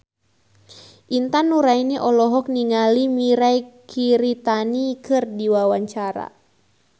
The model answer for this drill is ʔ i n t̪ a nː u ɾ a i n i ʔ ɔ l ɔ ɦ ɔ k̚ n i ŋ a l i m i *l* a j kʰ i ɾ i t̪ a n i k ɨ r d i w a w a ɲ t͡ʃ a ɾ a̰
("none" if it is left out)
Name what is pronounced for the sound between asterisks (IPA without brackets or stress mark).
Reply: ɾ